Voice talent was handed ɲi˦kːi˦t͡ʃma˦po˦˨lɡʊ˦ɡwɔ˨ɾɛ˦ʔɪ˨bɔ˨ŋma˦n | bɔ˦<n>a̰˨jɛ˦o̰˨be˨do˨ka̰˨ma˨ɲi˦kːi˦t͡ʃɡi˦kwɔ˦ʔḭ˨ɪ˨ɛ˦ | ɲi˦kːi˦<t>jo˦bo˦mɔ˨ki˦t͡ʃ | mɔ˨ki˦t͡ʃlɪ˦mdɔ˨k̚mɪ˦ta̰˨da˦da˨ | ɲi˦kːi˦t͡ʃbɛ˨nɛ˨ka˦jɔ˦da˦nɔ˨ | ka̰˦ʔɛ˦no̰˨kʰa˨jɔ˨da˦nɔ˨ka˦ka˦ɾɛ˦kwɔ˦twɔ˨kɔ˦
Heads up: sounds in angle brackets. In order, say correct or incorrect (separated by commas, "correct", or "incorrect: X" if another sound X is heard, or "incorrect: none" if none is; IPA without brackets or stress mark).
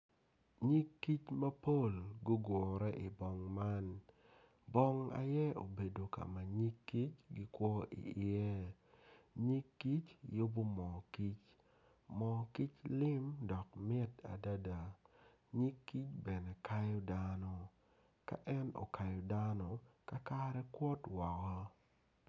incorrect: ŋ, incorrect: t͡ʃ